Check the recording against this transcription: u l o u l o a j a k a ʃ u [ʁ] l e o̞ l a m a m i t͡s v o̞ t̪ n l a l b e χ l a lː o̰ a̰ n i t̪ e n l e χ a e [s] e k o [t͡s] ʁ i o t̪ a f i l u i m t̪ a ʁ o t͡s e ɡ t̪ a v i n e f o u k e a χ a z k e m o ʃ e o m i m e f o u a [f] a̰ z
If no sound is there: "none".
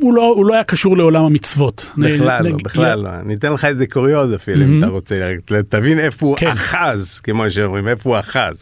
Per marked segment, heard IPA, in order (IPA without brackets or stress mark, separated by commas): ʁ, z, none, χ